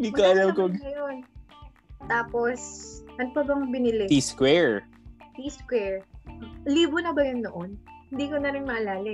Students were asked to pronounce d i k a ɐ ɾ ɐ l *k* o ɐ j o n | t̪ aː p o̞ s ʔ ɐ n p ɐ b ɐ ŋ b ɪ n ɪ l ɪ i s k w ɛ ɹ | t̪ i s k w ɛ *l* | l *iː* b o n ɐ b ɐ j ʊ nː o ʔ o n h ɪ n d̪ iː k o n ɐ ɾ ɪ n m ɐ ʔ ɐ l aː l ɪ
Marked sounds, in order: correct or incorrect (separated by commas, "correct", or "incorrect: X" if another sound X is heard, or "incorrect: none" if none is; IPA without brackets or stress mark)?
correct, incorrect: ɹ, correct